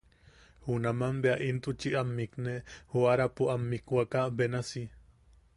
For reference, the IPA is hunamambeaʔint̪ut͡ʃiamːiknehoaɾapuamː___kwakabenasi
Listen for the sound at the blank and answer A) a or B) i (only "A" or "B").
B